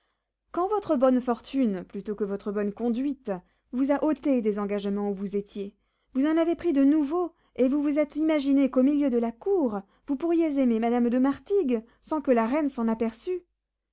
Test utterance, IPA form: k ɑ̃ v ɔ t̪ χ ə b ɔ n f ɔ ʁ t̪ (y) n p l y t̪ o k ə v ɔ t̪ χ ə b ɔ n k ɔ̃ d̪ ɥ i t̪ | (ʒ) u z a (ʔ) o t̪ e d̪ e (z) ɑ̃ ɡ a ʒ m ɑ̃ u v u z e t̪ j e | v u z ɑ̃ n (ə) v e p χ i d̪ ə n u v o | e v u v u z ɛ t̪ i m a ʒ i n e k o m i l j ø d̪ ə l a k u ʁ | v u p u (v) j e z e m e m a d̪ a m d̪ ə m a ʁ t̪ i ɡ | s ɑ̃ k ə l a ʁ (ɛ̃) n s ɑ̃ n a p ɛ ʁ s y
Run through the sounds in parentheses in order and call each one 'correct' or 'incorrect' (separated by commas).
correct, incorrect, correct, correct, incorrect, incorrect, incorrect